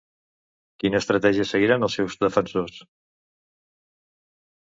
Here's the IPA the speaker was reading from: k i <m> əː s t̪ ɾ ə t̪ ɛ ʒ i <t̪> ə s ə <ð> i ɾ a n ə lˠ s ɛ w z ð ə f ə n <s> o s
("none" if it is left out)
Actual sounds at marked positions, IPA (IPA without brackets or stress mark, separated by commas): n, none, ɣ, s